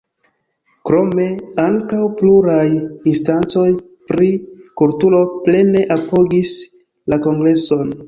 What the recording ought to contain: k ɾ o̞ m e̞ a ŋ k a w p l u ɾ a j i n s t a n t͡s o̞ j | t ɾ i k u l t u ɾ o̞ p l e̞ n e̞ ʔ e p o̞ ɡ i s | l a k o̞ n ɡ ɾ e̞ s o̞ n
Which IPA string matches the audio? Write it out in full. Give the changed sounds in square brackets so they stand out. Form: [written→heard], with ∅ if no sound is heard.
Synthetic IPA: k ɾ o̞ m e̞ a ŋ k a w p l u ɾ a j i n s t a n t͡s o̞ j | [t→p] ɾ i k u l t u [ɾ→l] o̞ p l e̞ n e̞ ʔ [e→a] p o̞ ɡ i s | l a k o̞ [n→ŋ] ɡ ɾ e̞ s o̞ n